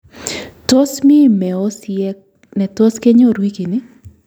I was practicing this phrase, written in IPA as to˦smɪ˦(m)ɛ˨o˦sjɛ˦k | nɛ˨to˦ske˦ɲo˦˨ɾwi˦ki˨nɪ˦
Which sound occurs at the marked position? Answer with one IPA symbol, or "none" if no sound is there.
m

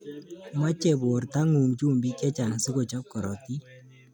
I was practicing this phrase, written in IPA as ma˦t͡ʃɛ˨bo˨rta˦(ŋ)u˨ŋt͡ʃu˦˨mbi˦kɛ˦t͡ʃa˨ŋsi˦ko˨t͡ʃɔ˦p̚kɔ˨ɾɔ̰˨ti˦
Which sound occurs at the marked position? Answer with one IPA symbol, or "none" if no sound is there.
ŋ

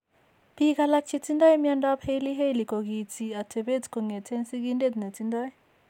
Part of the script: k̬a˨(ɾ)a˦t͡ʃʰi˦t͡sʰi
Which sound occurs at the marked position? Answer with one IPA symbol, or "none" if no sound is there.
l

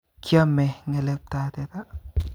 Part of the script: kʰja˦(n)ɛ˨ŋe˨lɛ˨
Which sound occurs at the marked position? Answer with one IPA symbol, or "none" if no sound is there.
m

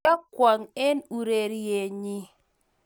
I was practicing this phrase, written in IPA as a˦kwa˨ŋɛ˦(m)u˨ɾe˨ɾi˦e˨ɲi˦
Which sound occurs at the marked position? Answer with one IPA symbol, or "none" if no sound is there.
n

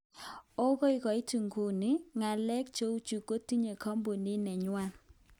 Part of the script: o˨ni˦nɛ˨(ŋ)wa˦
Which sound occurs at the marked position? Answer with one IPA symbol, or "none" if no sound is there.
ɲ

